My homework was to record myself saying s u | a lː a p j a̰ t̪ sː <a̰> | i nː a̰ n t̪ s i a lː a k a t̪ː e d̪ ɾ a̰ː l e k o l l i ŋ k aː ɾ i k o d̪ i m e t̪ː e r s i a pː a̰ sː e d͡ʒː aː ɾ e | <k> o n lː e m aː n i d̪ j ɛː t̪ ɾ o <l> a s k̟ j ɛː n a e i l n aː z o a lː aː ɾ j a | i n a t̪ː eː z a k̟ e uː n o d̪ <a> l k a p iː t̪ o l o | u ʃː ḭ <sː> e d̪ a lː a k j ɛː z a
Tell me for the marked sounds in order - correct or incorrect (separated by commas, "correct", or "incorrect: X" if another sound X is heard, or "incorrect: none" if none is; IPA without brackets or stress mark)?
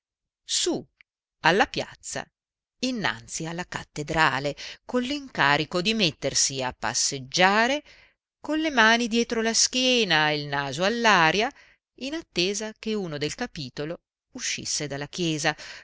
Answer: correct, correct, correct, incorrect: e, correct